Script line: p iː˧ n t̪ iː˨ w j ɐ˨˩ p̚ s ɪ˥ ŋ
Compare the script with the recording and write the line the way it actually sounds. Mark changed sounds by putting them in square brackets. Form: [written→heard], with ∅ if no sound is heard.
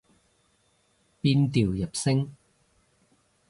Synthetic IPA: p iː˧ n t̪ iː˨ w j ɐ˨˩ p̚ s ɪ˥ ŋ

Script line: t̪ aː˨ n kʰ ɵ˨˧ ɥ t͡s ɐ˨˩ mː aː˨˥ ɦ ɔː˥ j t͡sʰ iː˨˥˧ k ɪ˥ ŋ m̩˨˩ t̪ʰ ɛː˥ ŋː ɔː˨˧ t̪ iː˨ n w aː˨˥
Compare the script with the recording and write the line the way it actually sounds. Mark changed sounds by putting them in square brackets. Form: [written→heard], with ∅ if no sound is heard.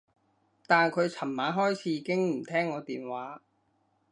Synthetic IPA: t̪ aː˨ n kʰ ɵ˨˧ ɥ [t͡s→t͡sʰ] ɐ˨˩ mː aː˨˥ ɦ ɔː˥ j t͡sʰ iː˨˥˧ k ɪ˥ ŋ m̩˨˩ t̪ʰ ɛː˥ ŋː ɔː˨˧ t̪ iː˨ n w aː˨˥

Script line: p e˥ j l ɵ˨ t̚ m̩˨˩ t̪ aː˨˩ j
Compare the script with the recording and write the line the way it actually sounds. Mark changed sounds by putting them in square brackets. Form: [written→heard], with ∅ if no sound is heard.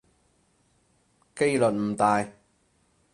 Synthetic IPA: [p→k] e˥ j l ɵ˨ t̚ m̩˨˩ t̪ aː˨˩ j

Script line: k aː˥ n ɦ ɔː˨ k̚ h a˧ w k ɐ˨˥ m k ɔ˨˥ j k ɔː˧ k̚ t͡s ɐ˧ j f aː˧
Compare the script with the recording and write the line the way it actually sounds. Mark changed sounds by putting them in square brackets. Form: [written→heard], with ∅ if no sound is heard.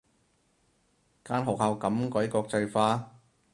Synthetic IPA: k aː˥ n ɦ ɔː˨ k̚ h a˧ w k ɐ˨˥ m k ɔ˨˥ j k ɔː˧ k̚ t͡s ɐ˧ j f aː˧

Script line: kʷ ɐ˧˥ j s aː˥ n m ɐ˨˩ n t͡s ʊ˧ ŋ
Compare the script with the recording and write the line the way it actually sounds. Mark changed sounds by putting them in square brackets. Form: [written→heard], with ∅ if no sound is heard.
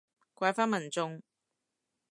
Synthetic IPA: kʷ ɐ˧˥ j [s→f] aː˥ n m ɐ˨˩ n t͡s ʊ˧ ŋ

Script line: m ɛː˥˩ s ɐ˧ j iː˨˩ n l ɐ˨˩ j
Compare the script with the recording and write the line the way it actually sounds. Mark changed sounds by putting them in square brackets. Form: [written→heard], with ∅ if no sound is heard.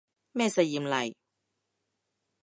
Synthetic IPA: m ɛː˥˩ s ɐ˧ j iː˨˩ [n→m] l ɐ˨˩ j

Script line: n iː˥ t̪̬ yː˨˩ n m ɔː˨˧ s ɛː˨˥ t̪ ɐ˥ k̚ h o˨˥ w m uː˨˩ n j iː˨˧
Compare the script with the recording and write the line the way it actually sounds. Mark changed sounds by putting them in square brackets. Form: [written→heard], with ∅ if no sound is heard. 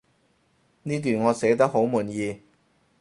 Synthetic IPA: n iː˥ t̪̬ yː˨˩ n [m→ŋ] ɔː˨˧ s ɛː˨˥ t̪ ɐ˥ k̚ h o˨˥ w m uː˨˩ n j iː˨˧

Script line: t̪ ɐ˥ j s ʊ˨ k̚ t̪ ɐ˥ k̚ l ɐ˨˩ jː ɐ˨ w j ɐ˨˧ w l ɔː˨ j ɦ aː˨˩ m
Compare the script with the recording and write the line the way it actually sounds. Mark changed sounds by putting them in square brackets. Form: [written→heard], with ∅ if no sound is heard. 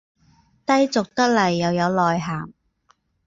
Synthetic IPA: t̪ ɐ˥ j [s→t͡s] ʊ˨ k̚ t̪ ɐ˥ k̚ l ɐ˨˩ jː ɐ˨ w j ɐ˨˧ w l ɔː˨ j ɦ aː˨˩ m

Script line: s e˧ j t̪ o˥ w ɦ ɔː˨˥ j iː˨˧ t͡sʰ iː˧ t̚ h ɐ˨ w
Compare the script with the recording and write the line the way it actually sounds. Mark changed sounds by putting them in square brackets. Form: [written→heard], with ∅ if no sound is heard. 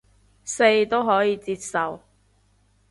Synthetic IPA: s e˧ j t̪ o˥ w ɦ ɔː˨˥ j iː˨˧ [t͡sʰ→t͡s] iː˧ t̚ [h→s] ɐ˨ w

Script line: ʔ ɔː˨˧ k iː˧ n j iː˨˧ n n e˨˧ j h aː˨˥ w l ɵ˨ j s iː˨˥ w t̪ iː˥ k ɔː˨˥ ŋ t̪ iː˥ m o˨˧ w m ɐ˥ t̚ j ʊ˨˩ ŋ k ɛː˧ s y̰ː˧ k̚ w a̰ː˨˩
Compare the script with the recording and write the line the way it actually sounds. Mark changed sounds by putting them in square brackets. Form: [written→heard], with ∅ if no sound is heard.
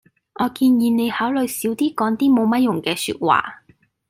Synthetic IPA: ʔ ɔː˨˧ k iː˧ n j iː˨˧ n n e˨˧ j h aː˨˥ w l ɵ˨ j s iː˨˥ w t̪ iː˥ k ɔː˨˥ ŋ t̪ iː˥ m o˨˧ w m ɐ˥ t̚ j ʊ˨˩ ŋ k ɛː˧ s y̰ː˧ [k̚→t̚] w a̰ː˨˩

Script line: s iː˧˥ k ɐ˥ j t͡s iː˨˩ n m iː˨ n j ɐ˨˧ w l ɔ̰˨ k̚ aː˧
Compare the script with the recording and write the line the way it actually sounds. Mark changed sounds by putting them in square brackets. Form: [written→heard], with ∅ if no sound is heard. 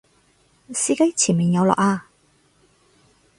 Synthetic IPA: s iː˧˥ k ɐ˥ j [t͡s→t͡sʰ] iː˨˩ n m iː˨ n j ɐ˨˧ w l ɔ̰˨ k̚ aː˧

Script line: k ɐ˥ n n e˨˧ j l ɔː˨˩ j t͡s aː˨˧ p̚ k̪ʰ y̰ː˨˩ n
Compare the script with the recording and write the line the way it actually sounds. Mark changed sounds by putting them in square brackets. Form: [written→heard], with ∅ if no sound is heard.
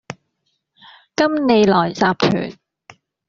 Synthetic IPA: k ɐ˥ [n→m] n e˨˧ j l ɔː˨˩ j t͡s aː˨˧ p̚ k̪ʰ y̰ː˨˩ n

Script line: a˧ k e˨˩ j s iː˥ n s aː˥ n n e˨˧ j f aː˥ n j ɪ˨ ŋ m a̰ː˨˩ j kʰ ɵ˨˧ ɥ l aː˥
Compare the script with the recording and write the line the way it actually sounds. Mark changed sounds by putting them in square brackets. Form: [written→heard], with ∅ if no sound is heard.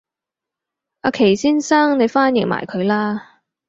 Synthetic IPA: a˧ [k→kʰ] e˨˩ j s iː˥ n s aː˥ [n→ŋ] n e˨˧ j f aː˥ n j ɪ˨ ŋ m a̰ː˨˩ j kʰ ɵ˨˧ ɥ l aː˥

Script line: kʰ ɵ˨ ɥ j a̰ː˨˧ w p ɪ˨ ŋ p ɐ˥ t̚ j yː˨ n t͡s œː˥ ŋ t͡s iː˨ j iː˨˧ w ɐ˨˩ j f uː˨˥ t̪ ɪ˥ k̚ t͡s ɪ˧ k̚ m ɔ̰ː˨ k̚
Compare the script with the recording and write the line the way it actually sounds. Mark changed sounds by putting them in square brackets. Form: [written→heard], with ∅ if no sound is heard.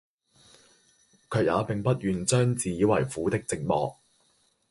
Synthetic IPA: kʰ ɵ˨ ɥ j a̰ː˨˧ [w→∅] p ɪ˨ ŋ p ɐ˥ t̚ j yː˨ n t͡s œː˥ ŋ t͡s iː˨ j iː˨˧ w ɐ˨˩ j f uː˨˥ t̪ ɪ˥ k̚ t͡s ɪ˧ k̚ m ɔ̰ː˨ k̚

